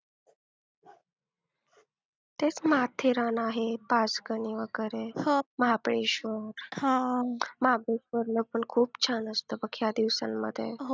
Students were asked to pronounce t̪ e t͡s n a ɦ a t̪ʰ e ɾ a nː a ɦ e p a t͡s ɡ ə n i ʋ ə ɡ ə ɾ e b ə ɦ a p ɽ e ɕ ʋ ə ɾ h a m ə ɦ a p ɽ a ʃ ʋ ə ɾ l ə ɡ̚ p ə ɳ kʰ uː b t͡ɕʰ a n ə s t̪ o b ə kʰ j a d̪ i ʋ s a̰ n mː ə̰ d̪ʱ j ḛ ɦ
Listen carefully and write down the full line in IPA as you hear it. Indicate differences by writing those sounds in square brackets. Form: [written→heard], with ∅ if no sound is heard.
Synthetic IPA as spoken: t̪ e t͡s [n→m] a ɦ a t̪ʰ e ɾ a [nː→n] a ɦ e p a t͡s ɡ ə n i ʋ ə ɡ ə ɾ e [b→m] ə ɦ a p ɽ e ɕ ʋ ə ɾ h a m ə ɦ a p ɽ [a→e] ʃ ʋ ə ɾ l ə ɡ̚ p ə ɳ kʰ uː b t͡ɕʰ a n ə s t̪ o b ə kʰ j a d̪ i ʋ s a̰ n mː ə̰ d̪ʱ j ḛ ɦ